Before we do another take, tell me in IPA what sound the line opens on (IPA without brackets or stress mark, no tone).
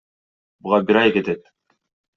b